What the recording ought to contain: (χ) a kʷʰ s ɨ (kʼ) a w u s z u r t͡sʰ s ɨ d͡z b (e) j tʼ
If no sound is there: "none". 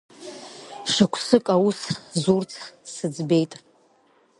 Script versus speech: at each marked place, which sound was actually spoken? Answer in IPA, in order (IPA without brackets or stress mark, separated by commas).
ʂ, kʼ, e